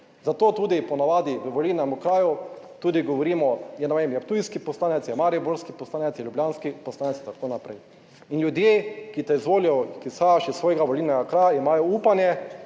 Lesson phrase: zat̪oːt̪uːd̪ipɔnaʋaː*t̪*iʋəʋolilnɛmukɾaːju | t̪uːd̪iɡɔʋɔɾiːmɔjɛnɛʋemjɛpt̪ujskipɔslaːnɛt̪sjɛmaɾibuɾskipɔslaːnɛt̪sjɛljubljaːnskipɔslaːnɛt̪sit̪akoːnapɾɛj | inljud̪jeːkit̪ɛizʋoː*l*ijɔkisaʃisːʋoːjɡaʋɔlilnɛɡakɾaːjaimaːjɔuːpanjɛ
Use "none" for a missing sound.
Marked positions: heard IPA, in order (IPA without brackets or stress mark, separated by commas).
d̪, l